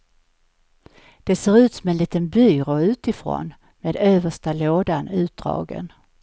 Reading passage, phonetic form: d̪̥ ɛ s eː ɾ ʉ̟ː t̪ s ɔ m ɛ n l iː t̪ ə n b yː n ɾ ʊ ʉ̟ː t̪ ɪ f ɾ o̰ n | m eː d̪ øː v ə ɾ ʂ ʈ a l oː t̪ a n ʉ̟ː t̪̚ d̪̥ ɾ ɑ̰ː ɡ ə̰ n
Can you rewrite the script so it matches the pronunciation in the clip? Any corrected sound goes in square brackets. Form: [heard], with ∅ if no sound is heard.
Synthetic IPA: d̪̥ ɛ s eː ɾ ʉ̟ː t̪ s ɔ m ɛ n l iː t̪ ə n b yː [∅] ɾ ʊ ʉ̟ː t̪ ɪ f ɾ o̰ n | m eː d̪ øː v ə [∅] ʂ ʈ a l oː [d̪] a n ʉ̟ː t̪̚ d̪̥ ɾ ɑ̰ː ɡ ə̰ n